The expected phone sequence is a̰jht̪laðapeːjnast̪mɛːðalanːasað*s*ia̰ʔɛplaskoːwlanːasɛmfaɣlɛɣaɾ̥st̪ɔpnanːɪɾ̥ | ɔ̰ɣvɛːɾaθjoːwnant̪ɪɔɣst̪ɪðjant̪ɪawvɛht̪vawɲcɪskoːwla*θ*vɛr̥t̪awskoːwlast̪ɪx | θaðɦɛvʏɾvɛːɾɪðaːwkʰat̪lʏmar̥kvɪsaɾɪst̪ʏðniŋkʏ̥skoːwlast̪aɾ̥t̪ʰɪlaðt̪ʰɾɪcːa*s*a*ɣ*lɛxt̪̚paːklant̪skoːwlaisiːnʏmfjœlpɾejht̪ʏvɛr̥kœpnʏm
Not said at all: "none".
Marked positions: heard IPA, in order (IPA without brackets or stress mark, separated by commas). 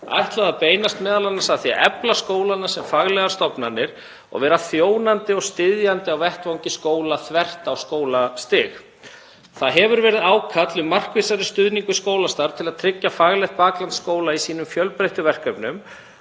θ, θ, f, ɣ